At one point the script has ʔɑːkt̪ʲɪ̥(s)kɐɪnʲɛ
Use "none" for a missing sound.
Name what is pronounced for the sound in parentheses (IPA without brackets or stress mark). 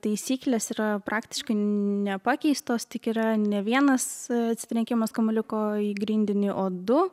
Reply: ʃ